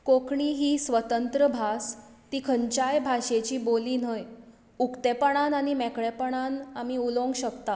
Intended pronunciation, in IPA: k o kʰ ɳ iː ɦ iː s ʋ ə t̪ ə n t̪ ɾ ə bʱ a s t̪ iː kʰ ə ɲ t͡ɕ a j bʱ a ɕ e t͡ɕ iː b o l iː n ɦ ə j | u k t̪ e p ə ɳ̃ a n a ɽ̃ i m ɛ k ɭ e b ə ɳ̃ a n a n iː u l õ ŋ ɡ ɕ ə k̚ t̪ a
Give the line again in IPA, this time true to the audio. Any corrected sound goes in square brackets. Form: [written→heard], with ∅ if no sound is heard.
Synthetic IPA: k o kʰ ɳ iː ɦ iː s ʋ ə t̪ ə n t̪ ɾ ə bʱ a s t̪ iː kʰ ə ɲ t͡ɕ a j bʱ a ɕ e t͡ɕ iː b o l iː n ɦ ə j | u k t̪ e p ə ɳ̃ a n a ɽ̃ i m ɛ k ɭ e [b→p] ə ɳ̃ a n a [n→m] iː u l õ ŋ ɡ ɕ ə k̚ t̪ a